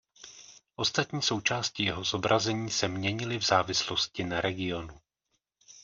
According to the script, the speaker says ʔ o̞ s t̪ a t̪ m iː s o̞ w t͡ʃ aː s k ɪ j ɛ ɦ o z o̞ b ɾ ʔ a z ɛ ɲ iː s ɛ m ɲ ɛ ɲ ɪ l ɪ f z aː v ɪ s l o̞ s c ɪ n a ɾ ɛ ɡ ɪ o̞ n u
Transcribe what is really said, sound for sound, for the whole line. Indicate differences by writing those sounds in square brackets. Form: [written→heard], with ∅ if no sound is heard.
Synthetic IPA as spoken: ʔ o̞ s t̪ a t̪ [m→ɲ] iː s o̞ w t͡ʃ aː s [k→c] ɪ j ɛ ɦ o z o̞ b ɾ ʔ a z ɛ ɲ iː s ɛ m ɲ ɛ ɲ ɪ l ɪ [f→v] z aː v ɪ s l o̞ s c ɪ n a ɾ ɛ ɡ ɪ o̞ n u